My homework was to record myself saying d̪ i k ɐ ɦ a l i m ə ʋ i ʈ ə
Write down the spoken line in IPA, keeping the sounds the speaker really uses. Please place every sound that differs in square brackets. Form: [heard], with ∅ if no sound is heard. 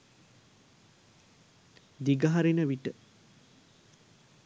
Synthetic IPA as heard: d̪ i [ɡ] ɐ ɦ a [ɾ] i [n] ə ʋ i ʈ ə